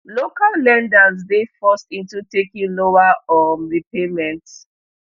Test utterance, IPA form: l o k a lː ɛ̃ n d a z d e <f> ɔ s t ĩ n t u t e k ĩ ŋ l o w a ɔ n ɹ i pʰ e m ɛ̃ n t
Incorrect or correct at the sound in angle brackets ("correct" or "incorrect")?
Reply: correct